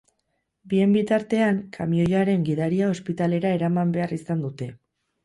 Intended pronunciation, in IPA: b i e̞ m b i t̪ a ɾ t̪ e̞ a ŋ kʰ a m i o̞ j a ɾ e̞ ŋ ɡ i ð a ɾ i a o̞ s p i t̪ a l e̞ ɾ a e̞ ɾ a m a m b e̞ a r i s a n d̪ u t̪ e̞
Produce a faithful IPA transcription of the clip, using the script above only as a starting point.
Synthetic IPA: b i e̞ m b i t̪ a ɾ t̪ e̞ a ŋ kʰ a m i o̞ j a ɾ e̞ ŋ ɡ i ð a ɾ i a o̞ s p i t̪ a l e̞ ɾ a e̞ ɾ a m a m b e̞ a r i s a n d̪ u t̪ e̞